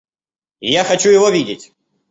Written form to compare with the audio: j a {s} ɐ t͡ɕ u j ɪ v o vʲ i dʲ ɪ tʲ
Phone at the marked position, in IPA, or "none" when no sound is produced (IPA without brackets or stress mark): x